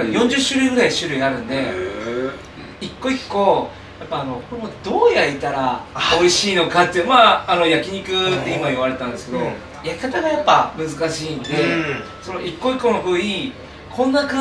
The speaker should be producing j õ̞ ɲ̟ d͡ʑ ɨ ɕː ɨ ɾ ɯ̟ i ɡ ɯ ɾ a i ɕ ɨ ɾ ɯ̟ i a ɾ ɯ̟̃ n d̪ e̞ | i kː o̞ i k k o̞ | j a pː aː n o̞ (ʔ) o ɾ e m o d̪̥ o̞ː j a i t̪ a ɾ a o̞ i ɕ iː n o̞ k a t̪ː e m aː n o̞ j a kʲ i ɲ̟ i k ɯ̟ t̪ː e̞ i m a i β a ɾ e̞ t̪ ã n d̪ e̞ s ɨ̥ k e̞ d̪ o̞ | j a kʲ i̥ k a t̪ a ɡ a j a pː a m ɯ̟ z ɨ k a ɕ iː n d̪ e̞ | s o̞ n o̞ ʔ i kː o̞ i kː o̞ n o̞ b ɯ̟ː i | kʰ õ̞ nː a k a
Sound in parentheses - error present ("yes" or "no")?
yes